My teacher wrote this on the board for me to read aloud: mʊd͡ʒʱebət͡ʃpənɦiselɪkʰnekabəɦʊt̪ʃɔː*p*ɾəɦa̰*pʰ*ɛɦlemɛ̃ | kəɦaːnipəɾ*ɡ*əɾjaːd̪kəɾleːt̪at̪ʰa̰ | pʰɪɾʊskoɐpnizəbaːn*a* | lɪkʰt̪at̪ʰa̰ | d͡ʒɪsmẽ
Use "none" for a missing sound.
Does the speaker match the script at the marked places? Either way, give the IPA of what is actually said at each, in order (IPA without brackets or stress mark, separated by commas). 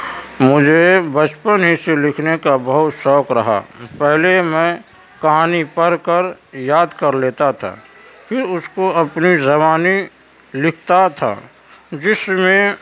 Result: k, p, k, i